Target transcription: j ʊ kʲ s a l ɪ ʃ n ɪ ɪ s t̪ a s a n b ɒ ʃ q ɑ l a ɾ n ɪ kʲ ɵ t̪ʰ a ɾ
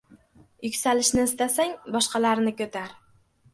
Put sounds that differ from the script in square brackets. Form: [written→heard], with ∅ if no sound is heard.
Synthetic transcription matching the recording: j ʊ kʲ s a l ɪ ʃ n ɪ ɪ s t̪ a s a [n→ŋ] b ɒ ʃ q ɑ l a ɾ n ɪ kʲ ɵ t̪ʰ a ɾ